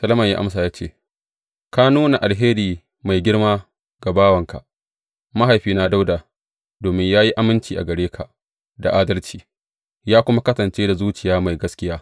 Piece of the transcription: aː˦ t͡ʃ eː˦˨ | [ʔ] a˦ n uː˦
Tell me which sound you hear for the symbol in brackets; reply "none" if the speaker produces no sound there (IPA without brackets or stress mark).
k